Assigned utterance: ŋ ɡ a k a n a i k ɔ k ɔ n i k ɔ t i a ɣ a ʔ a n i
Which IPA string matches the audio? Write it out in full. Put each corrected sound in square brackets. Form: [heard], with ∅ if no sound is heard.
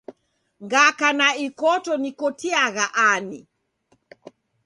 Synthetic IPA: ŋ ɡ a k a n a i k ɔ [t] ɔ n i k ɔ t i a ɣ a ʔ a n i